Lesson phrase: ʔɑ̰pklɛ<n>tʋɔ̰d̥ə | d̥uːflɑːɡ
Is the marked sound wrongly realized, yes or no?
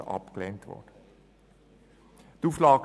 no